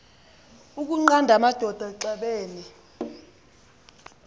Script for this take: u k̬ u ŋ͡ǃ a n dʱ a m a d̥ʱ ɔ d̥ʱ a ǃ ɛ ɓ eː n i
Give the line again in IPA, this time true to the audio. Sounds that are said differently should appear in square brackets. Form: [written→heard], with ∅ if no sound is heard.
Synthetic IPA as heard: u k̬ u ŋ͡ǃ a n dʱ a m a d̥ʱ ɔ d̥ʱ a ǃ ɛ ɓ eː n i